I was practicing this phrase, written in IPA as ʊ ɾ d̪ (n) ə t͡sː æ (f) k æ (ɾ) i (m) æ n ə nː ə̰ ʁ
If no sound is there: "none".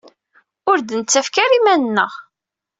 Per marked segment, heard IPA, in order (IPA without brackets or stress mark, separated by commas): n, f, ɾ, m